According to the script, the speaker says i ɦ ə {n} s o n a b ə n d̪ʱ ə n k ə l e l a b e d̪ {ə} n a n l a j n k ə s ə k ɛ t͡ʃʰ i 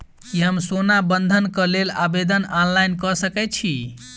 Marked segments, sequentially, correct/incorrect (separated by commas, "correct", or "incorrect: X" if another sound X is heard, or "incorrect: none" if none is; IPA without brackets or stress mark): incorrect: m, correct